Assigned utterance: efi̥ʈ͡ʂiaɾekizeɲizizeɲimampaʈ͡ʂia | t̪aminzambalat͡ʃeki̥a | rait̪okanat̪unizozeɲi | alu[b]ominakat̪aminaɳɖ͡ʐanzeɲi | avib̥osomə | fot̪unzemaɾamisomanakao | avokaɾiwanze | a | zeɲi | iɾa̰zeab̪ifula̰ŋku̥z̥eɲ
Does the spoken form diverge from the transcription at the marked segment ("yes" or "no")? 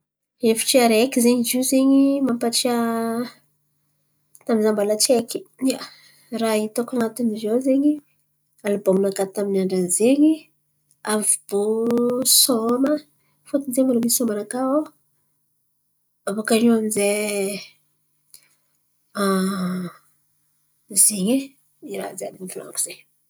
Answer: no